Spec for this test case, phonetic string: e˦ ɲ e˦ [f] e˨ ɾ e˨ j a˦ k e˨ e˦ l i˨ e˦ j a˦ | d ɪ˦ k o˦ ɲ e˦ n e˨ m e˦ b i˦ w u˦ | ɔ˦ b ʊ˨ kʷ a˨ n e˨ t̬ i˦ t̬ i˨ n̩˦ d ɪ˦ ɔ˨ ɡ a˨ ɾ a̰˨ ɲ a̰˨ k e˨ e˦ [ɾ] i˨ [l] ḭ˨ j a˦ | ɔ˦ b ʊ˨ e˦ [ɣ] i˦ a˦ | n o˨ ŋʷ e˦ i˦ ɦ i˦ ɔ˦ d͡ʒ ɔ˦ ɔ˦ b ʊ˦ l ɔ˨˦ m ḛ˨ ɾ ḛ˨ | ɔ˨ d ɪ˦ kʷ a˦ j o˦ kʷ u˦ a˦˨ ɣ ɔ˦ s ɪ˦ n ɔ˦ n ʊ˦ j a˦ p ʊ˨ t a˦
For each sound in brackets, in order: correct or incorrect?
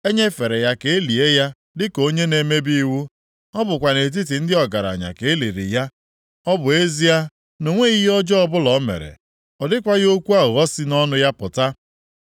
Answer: correct, incorrect: l, incorrect: ɾ, incorrect: z

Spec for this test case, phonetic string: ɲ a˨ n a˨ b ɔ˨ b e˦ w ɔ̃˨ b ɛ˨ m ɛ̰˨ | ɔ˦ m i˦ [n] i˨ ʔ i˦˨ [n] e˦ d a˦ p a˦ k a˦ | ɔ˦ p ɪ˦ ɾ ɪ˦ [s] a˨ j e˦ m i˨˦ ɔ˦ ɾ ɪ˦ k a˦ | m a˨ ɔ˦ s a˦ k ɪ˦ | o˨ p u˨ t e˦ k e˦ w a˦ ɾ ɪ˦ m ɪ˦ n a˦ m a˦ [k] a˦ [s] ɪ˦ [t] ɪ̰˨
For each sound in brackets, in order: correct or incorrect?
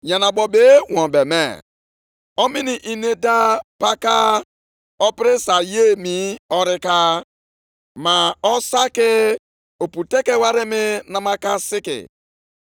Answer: correct, correct, correct, correct, correct, incorrect: k

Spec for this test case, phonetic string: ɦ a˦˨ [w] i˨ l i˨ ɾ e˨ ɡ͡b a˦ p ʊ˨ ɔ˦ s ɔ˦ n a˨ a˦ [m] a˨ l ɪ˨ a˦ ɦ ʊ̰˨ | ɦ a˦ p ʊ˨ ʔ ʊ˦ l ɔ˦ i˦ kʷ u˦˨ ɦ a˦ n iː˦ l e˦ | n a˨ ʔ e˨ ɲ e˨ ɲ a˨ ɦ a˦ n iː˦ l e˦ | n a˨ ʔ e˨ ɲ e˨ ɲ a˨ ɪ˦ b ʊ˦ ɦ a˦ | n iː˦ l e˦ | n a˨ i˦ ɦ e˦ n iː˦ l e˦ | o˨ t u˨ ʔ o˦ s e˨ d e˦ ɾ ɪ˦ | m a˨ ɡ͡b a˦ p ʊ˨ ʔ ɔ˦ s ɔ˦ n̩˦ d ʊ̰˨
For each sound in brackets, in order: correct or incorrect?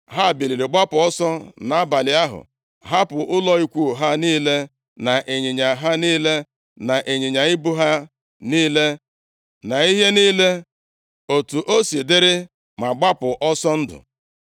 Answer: incorrect: b, incorrect: b

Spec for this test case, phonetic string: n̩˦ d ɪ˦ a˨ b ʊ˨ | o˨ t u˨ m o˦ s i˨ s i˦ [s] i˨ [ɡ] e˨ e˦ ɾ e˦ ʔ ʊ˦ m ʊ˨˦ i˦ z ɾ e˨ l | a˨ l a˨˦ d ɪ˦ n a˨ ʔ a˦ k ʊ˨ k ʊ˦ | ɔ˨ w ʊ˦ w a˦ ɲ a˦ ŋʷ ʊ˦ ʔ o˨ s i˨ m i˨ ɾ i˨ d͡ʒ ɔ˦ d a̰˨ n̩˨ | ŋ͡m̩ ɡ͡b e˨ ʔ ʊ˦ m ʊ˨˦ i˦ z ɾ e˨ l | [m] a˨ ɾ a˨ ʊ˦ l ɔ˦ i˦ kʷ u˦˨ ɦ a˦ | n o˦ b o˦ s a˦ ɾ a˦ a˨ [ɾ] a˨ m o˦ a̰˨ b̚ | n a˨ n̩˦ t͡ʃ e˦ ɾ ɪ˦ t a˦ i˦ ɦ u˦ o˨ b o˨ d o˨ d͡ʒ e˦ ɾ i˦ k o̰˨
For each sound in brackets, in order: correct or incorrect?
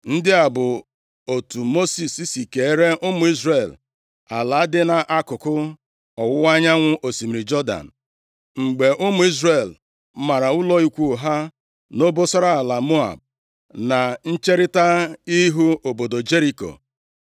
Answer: correct, incorrect: k, correct, incorrect: l

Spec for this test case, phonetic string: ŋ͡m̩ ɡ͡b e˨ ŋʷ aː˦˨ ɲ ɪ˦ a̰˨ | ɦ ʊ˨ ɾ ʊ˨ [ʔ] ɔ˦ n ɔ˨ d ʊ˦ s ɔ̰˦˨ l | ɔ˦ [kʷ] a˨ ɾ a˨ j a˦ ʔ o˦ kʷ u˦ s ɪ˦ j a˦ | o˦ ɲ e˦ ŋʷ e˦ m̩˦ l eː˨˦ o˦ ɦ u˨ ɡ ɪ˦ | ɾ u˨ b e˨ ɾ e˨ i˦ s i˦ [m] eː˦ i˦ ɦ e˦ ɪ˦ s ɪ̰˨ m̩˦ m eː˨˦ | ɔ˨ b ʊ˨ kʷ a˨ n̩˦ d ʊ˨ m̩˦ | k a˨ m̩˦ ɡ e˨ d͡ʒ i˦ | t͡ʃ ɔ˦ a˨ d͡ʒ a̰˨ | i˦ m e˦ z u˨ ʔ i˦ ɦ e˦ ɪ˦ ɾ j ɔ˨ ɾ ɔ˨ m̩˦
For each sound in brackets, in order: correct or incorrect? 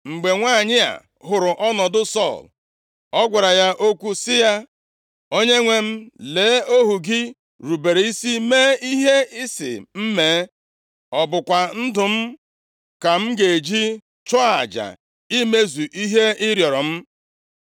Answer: correct, incorrect: ɡʷ, correct

